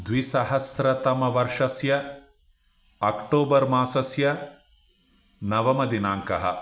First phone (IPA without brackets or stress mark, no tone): d̪